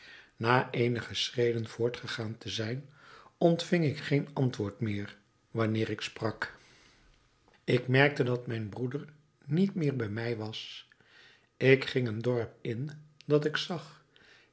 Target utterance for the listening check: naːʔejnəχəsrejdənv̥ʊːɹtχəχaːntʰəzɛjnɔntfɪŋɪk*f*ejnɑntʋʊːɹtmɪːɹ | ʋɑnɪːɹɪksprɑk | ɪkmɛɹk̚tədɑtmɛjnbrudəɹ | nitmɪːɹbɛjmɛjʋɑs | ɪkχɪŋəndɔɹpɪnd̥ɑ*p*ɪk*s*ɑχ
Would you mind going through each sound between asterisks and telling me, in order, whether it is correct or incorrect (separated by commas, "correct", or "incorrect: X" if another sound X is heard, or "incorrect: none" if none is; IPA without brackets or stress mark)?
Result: incorrect: χ, incorrect: t, correct